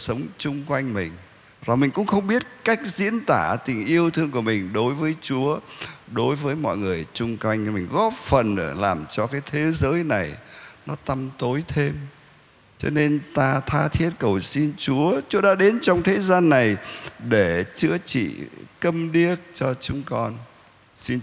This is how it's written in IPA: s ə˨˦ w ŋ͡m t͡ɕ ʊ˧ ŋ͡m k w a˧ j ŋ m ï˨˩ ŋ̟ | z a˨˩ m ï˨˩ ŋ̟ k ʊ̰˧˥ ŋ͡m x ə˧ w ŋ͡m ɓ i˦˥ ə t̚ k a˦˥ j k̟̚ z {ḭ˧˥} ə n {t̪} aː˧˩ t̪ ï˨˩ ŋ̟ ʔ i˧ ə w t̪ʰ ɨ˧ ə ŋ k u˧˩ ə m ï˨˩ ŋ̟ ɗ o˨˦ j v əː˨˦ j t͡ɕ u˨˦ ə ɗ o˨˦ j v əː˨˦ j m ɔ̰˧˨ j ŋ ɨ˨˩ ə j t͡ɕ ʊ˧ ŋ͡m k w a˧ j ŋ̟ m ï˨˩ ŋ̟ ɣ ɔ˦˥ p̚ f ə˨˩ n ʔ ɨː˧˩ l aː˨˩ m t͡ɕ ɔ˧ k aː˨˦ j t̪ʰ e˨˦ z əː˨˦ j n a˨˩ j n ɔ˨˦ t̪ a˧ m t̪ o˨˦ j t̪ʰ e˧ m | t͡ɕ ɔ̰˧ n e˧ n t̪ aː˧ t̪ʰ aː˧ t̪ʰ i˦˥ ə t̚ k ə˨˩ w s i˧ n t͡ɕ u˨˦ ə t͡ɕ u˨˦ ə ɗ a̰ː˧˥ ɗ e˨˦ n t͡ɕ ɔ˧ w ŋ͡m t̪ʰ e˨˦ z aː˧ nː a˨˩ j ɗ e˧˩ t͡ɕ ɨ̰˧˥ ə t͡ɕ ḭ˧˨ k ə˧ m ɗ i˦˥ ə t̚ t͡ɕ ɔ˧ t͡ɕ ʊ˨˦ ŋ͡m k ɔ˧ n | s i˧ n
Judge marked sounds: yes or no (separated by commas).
yes, yes